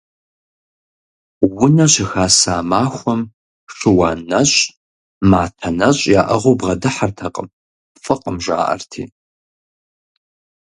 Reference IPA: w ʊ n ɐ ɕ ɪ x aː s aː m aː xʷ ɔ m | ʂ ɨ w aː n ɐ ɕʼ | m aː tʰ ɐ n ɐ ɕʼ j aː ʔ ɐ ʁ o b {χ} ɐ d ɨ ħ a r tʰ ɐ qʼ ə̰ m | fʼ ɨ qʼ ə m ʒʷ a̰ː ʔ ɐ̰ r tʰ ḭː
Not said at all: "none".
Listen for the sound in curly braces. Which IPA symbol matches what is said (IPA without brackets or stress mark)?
ʁ